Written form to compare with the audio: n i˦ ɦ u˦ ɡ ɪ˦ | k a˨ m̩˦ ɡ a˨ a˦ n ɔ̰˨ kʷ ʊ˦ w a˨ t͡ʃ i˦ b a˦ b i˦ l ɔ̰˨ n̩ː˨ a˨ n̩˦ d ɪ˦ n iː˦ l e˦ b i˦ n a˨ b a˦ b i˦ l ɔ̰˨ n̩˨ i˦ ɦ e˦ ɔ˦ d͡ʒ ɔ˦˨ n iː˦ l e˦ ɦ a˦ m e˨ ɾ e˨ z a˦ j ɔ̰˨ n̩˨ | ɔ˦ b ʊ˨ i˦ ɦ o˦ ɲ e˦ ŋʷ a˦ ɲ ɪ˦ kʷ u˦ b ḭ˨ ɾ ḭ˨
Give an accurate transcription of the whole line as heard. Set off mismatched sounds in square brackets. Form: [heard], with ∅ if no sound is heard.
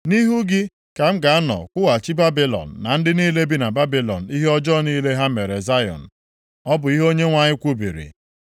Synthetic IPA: n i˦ ɦ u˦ ɡ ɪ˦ | k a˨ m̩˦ ɡ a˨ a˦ n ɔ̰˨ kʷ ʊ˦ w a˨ t͡ʃ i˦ b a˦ b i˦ l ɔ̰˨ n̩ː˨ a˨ n̩˦ d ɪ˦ n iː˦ l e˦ b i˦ n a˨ b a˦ b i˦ l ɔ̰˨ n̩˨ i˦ ɦ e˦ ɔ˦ d͡ʒ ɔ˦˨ n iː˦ l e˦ ɦ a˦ m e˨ ɾ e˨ z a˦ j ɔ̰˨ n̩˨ | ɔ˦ b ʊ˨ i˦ ɦ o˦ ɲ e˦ ŋʷ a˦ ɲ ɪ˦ kʷ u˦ b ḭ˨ ɾ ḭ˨